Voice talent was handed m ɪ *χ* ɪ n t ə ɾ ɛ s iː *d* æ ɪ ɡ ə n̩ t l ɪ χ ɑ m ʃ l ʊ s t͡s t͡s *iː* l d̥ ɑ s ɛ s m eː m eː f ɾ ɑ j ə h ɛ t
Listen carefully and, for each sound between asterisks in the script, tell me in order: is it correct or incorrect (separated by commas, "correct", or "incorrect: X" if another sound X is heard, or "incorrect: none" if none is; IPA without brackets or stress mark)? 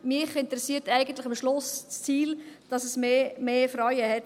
correct, incorrect: t, correct